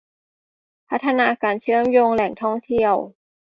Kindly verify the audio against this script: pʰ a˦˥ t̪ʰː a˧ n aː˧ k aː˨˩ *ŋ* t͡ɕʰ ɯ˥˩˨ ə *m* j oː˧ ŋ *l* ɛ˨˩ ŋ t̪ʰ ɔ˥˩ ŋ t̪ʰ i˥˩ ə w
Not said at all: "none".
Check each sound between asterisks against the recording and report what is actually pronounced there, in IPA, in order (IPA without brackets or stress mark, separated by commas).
n, m, l